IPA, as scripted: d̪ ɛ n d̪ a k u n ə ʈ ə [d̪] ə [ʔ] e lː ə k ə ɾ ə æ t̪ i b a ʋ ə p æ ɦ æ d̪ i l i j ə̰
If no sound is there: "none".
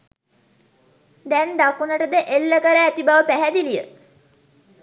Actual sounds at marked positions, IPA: d̪, ʔ

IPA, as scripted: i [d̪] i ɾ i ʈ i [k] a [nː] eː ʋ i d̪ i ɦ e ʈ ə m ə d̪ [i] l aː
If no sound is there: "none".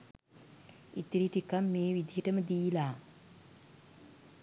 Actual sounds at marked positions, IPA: t̪, k, mː, iː

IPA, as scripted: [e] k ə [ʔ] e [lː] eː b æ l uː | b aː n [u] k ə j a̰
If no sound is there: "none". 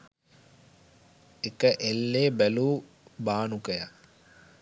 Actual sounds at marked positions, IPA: e, ʔ, lː, u

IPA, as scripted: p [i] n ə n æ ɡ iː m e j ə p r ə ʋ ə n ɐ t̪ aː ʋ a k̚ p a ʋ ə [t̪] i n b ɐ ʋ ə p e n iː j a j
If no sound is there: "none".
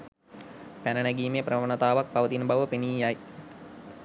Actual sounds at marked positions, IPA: æ, t̪

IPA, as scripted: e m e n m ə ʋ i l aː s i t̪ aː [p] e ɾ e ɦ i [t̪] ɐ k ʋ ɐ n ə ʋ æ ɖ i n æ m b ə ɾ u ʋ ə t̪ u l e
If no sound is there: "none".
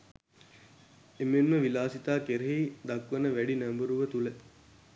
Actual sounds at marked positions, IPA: k, d̪

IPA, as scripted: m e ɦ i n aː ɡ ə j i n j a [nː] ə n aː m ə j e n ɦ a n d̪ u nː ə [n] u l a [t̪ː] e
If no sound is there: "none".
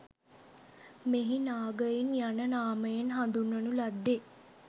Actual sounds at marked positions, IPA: n, n, d̪ː

